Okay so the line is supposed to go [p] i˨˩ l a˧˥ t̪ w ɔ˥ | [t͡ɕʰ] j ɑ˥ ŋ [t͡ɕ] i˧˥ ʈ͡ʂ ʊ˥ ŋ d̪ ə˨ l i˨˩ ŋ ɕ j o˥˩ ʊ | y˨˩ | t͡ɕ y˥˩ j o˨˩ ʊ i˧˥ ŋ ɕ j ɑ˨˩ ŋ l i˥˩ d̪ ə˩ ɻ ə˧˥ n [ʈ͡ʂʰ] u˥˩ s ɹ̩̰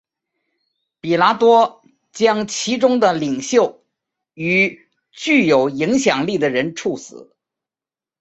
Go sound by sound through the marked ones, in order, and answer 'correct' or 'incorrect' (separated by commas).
correct, incorrect, incorrect, correct